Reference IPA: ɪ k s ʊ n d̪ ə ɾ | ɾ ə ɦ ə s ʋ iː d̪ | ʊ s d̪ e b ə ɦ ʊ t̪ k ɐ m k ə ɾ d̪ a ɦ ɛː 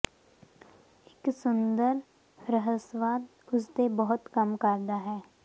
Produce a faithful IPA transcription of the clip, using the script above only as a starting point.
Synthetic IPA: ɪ k s ʊ n d̪ ə ɾ | ɾ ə ɦ ə s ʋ aː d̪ | ʊ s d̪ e b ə ɦ ʊ t̪ k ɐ m k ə ɾ d̪ a ɦ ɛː